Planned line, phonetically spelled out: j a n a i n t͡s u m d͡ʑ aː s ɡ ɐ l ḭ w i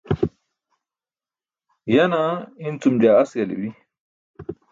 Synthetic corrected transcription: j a n a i n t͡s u m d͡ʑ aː s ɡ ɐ l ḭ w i